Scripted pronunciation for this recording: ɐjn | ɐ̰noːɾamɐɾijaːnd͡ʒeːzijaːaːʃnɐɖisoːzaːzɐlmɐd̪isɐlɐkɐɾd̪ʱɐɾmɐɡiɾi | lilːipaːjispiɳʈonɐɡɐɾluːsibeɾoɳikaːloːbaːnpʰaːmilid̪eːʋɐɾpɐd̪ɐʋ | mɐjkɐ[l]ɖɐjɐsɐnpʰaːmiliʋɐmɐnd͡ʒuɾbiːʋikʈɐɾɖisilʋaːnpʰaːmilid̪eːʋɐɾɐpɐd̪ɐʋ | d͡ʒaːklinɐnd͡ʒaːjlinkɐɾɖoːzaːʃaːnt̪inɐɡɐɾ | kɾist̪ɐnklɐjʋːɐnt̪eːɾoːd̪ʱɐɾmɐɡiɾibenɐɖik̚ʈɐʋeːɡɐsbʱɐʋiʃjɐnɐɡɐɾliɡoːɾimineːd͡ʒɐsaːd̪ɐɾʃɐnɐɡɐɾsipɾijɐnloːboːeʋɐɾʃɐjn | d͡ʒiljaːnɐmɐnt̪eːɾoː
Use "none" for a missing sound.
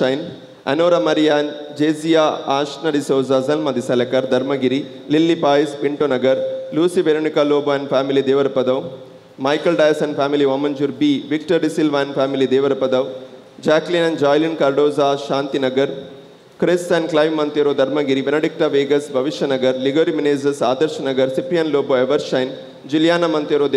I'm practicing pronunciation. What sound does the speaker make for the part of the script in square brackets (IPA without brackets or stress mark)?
l